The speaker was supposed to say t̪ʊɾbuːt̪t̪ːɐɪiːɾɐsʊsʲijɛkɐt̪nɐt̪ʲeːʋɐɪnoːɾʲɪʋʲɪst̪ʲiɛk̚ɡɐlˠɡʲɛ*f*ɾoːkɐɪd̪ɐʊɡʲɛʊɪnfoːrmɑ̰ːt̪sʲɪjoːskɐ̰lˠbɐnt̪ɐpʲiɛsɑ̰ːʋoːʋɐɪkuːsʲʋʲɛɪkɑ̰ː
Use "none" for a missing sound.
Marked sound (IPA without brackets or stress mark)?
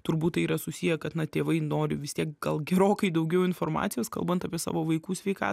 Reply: none